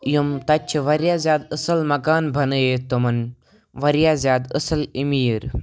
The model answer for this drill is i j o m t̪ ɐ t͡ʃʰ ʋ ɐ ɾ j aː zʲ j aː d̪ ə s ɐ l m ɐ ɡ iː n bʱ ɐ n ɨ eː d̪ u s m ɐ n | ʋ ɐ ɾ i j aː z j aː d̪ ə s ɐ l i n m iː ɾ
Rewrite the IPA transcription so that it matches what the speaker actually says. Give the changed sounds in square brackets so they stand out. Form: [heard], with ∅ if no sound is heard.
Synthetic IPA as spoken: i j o m t̪ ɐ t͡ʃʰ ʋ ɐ ɾ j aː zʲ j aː d̪ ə s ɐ l m ɐ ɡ [aː] n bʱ ɐ n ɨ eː [t̪] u [∅] m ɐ n | ʋ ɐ ɾ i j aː z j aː d̪ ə s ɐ l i [∅] m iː ɾ